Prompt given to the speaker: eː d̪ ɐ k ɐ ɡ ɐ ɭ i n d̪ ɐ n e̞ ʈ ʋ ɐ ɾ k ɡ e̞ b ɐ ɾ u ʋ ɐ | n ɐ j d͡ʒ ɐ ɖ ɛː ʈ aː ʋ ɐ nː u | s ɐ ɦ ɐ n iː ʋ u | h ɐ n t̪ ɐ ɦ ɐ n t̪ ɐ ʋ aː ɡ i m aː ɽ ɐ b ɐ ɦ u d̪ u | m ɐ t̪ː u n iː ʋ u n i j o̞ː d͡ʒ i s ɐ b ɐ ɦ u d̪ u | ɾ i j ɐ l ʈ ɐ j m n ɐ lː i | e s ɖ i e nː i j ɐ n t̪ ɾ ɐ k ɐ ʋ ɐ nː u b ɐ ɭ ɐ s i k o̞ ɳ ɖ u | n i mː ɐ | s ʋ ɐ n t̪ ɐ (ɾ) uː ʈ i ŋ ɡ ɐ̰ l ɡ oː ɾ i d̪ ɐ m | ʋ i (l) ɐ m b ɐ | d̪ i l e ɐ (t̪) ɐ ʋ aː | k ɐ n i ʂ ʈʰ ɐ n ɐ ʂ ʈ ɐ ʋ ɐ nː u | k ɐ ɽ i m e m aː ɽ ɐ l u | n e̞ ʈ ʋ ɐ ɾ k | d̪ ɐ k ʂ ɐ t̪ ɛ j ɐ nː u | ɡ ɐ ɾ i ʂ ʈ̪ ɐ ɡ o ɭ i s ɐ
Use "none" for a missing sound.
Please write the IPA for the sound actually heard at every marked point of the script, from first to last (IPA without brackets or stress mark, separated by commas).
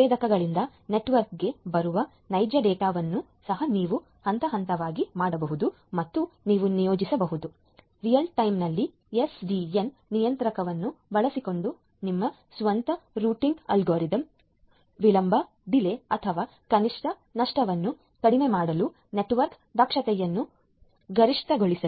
ɾ, l, t̪ʰ